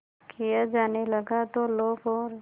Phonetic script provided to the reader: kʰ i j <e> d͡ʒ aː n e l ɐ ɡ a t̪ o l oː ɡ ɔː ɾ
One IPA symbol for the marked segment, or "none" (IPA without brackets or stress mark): a